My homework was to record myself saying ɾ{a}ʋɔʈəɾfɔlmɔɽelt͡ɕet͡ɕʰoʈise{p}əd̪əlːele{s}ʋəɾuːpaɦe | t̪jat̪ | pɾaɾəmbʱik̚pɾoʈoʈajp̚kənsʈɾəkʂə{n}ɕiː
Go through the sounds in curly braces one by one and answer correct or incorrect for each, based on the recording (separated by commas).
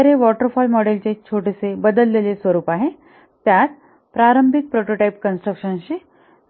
incorrect, incorrect, correct, correct